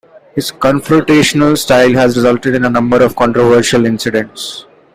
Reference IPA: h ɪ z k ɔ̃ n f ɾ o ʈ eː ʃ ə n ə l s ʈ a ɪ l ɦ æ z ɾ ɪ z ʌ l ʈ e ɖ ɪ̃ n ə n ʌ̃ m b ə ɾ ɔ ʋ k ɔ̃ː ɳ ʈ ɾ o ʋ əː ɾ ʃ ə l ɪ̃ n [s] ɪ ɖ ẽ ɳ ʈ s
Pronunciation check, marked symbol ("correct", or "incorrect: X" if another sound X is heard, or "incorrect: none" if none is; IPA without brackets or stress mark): correct